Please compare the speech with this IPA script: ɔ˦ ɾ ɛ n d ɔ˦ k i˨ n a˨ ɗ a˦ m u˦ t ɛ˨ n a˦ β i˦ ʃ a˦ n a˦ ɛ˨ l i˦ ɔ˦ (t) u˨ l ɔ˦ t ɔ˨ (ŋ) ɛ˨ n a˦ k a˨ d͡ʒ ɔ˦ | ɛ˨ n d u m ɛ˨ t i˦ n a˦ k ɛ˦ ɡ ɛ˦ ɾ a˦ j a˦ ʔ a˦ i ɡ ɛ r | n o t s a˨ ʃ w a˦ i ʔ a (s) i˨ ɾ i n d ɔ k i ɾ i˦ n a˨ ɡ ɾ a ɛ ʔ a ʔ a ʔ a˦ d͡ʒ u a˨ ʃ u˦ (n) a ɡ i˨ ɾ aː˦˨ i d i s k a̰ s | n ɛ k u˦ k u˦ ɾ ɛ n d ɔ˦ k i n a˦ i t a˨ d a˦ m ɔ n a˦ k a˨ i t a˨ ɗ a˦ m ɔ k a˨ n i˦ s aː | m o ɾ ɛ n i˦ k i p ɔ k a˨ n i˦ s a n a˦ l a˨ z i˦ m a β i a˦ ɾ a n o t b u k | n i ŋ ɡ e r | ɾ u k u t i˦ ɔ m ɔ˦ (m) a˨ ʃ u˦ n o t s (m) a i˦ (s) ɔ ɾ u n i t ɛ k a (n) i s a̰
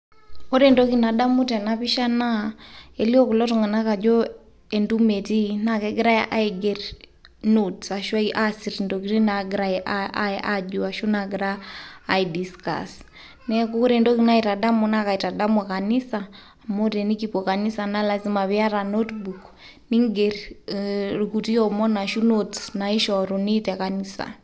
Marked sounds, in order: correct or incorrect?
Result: incorrect: k, correct, correct, correct, incorrect: n, incorrect: n, incorrect: ʃ, correct

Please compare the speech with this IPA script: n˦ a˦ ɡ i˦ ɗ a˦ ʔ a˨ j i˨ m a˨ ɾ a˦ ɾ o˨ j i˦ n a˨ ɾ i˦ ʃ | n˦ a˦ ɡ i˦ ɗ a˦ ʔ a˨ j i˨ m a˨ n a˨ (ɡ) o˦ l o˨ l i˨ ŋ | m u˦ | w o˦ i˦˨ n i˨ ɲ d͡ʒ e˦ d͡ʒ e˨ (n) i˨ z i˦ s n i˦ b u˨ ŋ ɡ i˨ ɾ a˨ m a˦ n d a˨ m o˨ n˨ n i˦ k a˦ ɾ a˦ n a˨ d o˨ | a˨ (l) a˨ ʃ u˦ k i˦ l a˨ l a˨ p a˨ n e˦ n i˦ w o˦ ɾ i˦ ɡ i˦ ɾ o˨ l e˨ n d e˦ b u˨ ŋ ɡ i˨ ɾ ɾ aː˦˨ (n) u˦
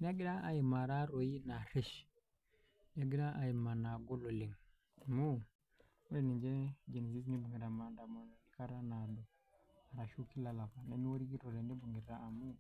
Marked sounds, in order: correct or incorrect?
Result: correct, correct, incorrect: ɾ, incorrect: m

